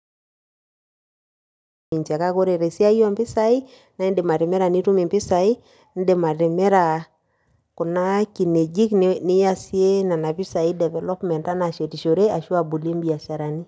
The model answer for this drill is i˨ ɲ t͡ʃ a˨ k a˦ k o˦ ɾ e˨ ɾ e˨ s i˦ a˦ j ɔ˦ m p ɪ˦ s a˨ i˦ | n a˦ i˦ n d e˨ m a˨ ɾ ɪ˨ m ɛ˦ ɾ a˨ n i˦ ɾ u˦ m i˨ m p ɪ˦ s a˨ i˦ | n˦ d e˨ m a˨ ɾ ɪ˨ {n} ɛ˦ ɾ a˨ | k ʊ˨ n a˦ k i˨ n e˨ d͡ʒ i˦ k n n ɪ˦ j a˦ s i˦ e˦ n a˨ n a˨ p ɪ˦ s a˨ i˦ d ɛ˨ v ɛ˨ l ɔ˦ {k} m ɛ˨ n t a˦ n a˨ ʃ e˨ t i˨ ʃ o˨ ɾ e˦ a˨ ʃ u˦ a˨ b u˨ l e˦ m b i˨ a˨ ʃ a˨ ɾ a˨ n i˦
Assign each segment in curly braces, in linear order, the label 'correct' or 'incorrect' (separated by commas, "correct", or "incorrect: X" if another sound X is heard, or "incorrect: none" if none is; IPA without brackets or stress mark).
incorrect: m, incorrect: p